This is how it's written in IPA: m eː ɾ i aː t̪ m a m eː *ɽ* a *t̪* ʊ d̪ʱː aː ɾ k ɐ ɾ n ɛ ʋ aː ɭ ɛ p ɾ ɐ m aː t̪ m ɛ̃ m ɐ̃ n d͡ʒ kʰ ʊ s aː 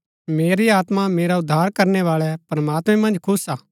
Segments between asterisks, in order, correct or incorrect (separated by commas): incorrect, incorrect